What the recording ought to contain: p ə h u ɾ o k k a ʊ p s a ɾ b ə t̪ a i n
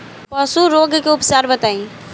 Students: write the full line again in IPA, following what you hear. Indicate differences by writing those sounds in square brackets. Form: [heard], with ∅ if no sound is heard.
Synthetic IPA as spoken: p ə [s] u ɾ o [ɡ] k [e] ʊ p s a ɾ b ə t̪ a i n